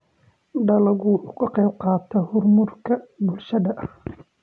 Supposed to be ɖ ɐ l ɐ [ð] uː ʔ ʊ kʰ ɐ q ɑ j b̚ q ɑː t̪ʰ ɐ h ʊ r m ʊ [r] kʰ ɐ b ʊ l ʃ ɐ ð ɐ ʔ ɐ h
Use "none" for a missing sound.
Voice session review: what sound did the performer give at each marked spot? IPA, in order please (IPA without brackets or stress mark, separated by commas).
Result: ɣ, r